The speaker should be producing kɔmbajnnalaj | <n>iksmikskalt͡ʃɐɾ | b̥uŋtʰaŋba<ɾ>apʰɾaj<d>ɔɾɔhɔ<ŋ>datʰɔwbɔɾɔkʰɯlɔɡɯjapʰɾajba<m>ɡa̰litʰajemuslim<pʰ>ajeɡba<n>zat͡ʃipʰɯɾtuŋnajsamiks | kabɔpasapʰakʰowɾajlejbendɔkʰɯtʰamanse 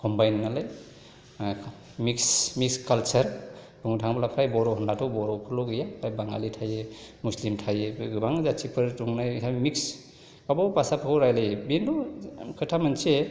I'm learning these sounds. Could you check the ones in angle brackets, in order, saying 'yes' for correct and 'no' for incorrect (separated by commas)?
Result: no, no, no, no, no, no, no